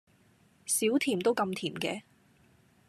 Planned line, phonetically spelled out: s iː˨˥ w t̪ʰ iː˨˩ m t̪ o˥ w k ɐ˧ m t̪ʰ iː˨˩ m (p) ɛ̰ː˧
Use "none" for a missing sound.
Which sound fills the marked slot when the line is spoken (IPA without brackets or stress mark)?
k